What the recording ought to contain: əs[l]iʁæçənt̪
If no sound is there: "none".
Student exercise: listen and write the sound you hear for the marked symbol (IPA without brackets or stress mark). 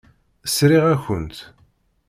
ɾ